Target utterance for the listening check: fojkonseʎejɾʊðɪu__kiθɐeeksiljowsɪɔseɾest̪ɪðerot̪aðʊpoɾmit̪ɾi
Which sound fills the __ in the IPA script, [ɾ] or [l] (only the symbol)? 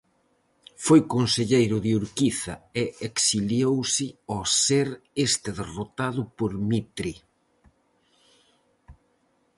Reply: ɾ